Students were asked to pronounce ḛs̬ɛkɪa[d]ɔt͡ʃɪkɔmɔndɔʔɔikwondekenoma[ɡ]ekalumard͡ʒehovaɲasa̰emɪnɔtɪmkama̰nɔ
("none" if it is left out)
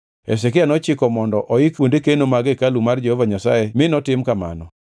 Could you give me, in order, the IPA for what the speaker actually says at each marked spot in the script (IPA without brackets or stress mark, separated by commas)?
n, ɡ